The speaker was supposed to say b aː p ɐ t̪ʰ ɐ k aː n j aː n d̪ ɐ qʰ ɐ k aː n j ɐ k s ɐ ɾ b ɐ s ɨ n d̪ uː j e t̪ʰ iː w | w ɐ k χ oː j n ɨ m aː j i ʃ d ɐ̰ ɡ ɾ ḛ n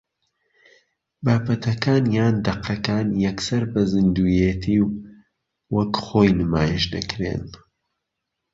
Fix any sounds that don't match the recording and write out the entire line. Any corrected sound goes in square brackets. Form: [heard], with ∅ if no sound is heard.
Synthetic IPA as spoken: b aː p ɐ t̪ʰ ɐ k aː n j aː n d̪ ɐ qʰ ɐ k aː n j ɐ k s ɐ ɾ b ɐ [z] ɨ n d̪ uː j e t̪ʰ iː w | w ɐ k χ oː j n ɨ m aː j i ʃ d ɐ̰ [k] ɾ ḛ n